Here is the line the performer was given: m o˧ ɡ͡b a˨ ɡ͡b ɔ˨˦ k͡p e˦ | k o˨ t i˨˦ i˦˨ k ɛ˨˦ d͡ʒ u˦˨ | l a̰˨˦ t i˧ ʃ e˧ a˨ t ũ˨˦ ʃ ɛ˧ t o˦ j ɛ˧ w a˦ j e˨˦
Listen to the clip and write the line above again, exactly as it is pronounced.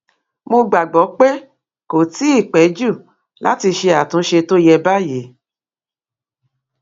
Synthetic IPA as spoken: m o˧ ɡ͡b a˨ ɡ͡b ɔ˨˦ k͡p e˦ | k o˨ t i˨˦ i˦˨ k͡p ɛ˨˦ d͡ʒ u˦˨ | l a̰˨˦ t i˧ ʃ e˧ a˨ t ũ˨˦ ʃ e˧ t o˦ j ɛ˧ b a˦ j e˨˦

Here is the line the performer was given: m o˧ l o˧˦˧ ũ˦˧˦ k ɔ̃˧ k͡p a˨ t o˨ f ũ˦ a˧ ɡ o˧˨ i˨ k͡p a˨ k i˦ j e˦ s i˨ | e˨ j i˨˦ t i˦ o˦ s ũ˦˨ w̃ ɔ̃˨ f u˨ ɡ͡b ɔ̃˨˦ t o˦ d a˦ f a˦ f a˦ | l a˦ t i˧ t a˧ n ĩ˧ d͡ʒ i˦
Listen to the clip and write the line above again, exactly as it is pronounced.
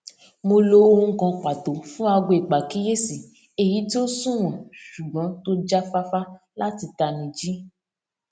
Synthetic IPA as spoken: m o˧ l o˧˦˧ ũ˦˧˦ k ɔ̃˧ k͡p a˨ t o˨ f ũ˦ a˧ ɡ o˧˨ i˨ k͡p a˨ k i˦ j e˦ s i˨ | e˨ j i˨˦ t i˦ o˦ s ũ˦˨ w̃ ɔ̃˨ ʃ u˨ ɡ͡b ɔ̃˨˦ t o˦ d͡ʒ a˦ f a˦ f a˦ | l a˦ t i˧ t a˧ n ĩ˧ d͡ʒ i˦

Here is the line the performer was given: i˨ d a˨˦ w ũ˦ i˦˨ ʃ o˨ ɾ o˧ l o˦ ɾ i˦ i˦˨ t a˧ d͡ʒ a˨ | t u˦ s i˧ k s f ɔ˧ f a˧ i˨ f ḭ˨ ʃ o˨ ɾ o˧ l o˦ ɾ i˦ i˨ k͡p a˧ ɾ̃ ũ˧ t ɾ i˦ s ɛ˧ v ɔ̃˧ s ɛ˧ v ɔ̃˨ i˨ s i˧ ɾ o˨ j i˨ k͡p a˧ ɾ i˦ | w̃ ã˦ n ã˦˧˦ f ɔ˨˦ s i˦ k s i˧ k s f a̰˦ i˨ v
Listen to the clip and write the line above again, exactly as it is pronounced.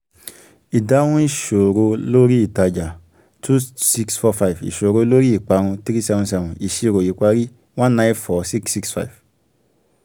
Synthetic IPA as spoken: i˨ d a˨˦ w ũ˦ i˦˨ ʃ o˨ ɾ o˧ l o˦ ɾ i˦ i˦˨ t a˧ d͡ʒ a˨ | t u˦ s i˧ k s f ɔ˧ f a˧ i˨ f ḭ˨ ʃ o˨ ɾ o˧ l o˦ ɾ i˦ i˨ k͡p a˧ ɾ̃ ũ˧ t ɾ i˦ s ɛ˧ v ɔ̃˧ s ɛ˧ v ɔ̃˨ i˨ ʃ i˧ ɾ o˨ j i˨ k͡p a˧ ɾ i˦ | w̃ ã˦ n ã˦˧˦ f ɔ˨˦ s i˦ k s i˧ k s f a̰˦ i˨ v

